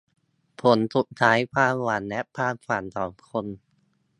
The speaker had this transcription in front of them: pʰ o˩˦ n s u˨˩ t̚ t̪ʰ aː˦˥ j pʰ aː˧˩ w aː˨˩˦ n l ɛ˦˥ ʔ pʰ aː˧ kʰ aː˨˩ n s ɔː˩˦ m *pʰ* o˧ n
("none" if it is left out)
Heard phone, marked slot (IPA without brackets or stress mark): kʰ